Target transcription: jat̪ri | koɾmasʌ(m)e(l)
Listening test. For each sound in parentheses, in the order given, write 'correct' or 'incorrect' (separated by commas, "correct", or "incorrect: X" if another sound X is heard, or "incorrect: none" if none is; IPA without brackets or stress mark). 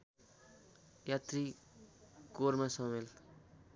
correct, correct